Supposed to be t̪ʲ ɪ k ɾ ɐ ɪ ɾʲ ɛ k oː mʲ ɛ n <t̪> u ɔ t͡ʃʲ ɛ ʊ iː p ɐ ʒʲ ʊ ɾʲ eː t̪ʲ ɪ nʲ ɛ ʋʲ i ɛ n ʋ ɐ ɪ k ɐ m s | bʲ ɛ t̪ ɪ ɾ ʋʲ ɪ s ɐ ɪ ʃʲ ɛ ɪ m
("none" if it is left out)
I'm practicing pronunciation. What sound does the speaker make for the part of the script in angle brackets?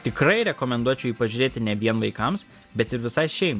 d̪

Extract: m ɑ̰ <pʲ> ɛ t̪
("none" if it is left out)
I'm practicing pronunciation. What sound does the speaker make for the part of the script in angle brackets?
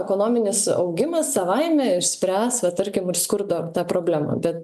bʲ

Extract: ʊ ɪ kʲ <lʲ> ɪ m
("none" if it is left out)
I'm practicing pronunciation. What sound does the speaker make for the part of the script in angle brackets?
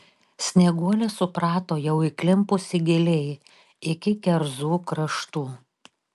lʲ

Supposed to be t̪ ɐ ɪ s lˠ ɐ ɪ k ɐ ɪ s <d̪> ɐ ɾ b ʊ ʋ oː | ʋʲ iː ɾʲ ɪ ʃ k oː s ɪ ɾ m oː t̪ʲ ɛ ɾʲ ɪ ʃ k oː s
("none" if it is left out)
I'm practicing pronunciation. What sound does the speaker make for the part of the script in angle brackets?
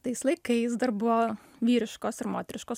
d̪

